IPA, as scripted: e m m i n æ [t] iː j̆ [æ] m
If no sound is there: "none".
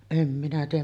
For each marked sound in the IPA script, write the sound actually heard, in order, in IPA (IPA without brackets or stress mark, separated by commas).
t, æ